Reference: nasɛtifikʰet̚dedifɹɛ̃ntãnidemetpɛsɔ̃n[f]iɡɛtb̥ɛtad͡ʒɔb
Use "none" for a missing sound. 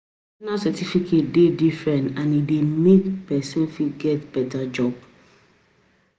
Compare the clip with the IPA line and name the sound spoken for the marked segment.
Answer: f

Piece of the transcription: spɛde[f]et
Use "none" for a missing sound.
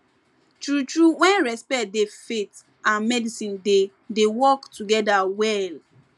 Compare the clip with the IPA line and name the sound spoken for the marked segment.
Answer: f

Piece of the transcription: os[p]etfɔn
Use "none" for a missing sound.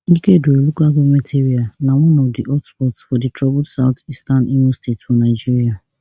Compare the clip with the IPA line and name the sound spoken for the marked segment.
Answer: t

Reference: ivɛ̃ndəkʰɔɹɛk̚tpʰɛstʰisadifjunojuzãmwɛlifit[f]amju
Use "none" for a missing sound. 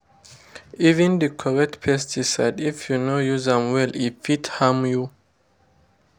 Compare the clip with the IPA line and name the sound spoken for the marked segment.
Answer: h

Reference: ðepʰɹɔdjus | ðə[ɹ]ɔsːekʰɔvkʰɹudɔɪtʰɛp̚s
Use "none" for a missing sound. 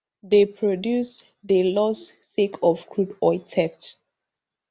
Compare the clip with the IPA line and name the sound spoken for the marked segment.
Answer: l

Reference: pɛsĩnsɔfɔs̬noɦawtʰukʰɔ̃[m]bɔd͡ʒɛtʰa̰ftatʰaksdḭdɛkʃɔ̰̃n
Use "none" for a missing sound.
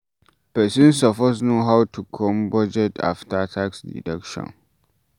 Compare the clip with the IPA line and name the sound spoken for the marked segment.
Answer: m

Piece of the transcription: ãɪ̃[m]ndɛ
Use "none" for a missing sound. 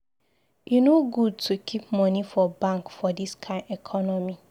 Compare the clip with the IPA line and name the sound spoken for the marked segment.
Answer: none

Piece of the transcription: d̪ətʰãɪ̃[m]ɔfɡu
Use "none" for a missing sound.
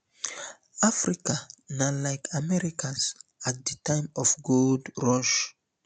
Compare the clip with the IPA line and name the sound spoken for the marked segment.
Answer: m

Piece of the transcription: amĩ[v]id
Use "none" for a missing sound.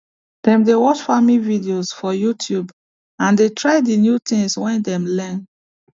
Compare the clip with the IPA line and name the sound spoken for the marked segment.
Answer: v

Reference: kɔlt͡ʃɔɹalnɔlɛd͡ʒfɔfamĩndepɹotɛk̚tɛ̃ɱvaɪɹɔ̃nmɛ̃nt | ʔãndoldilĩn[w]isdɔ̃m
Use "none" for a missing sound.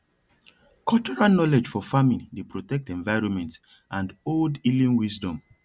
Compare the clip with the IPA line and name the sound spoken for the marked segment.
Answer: w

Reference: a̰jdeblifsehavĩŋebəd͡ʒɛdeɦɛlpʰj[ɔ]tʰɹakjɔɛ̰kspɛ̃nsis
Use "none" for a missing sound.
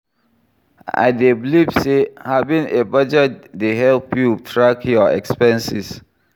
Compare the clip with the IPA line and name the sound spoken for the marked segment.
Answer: u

